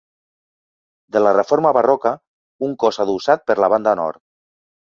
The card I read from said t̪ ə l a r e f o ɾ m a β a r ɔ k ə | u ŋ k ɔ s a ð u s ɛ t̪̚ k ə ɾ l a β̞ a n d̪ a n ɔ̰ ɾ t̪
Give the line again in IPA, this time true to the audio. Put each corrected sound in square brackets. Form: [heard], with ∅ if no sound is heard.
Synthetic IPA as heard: [d̪] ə l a r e f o ɾ m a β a r ɔ k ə | u ŋ k ɔ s a ð u s [a] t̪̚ [p] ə ɾ l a β̞ a n d̪ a n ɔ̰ ɾ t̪